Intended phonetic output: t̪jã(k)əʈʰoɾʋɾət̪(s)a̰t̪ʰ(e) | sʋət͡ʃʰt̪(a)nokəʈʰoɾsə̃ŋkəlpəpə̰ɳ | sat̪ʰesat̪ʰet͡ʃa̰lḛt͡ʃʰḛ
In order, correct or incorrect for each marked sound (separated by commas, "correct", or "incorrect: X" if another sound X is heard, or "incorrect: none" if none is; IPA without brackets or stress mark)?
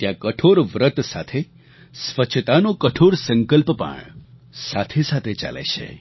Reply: correct, correct, correct, correct